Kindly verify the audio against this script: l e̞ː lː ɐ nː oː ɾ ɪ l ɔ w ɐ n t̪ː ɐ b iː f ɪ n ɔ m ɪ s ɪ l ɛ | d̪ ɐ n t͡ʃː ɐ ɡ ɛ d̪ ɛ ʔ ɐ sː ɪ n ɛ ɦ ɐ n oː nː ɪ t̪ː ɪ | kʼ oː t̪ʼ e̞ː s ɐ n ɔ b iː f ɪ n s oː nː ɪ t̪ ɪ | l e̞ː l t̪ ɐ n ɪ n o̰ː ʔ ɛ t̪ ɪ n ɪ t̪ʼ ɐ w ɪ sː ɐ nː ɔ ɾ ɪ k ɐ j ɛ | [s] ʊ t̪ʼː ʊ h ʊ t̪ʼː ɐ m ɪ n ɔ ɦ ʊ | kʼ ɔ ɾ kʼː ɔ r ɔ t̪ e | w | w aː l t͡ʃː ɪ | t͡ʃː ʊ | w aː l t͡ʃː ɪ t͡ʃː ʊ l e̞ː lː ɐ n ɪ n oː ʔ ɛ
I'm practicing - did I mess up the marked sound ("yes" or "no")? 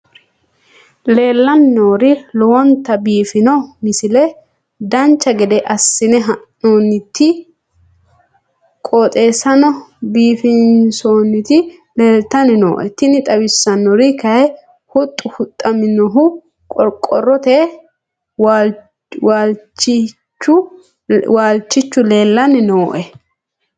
yes